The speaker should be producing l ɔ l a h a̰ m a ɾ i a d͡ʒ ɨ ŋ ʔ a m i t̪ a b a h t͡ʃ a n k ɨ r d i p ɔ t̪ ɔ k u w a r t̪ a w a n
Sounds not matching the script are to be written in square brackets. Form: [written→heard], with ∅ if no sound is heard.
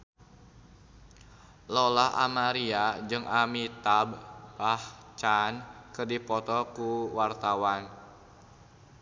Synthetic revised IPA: l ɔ l a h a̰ m a ɾ i a d͡ʒ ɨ ŋ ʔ a m i t̪ a b a h t͡ʃ a n k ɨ r d i p ɔ t̪ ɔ k u w a r t̪ a w a n